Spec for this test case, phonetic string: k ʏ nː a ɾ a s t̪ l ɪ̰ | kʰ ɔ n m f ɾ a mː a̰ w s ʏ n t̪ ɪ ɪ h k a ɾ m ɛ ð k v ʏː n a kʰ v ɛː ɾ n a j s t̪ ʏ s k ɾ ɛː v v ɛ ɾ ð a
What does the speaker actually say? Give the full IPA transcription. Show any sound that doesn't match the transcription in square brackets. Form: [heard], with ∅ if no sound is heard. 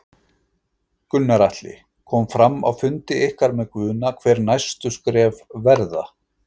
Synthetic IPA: k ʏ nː a ɾ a [h] t̪ l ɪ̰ | kʰ ɔ [∅] m f ɾ a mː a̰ w [f] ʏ n t̪ ɪ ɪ h k a ɾ m ɛ ð k v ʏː n a kʰ v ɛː ɾ n a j s t̪ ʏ s k ɾ ɛː v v ɛ ɾ ð a